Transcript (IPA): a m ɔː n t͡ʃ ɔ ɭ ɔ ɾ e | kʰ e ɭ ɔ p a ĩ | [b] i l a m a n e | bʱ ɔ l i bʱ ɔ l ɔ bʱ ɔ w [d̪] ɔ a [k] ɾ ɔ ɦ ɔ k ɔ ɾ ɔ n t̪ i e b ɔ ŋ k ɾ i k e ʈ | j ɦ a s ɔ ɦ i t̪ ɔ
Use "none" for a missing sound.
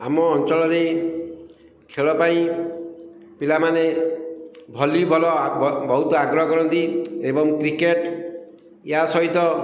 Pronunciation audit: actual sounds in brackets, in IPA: p, t̪, ɡ

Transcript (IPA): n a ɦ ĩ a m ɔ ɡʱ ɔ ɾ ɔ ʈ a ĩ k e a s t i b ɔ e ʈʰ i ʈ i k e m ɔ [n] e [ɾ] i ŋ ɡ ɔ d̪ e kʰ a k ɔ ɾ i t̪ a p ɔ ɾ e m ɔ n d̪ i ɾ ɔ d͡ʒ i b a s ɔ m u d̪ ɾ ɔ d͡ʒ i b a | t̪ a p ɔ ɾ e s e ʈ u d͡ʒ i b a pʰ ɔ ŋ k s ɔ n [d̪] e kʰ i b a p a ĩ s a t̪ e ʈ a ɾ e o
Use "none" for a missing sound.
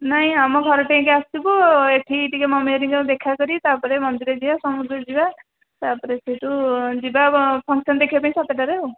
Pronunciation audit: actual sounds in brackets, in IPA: m, ɾ, d̪

